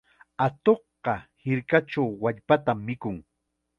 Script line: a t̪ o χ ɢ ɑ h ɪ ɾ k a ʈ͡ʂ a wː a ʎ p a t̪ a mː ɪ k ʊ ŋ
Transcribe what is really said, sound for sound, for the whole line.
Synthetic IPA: a t̪ o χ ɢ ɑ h ɪ ɾ k a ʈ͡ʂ a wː a ʎ p a t̪ a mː ɪ k ʊ ŋ